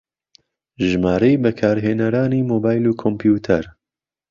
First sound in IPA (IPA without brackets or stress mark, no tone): ʒ